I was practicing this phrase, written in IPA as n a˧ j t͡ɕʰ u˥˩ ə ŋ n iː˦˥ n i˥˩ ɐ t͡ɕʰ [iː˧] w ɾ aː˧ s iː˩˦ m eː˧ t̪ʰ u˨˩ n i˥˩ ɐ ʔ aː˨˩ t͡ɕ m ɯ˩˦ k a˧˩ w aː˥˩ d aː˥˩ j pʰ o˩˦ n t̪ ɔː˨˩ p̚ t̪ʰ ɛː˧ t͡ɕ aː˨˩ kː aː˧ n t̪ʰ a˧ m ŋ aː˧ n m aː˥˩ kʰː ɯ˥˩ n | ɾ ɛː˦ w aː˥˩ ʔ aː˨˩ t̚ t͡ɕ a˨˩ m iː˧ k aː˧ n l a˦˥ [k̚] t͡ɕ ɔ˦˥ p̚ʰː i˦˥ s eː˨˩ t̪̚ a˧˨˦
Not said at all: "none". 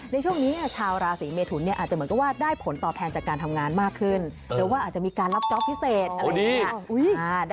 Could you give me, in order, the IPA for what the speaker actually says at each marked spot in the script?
aː˧, p̚

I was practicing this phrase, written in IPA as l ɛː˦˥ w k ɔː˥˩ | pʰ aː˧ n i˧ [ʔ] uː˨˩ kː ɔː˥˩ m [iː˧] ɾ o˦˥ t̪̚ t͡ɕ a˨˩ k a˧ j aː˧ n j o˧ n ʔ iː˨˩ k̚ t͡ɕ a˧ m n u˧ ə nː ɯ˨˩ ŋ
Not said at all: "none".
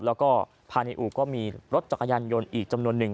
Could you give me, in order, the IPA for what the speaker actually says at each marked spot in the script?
ʔ, iː˧

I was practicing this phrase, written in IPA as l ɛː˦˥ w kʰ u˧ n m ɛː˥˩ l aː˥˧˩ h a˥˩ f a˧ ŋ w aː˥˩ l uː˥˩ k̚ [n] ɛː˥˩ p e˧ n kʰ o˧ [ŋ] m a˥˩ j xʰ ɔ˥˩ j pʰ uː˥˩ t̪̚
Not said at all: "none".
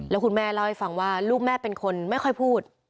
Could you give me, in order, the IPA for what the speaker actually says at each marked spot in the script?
m, n

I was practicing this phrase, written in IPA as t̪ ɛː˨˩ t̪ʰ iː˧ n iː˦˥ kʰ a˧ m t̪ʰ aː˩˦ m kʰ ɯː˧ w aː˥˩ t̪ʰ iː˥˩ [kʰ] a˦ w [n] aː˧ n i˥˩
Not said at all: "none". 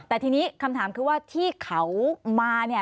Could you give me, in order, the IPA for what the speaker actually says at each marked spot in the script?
kʰ, m

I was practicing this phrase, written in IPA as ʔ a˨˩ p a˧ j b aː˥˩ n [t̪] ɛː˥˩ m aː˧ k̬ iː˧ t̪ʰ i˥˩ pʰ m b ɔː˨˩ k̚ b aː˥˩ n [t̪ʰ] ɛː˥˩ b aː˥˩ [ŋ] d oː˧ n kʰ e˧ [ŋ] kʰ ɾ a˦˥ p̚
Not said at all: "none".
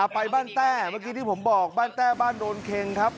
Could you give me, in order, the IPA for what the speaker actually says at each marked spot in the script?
t̪, t̪, n, ŋ

